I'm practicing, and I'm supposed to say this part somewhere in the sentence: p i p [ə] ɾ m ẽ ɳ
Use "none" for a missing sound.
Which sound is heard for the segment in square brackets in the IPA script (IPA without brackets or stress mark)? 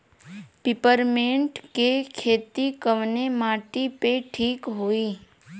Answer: ə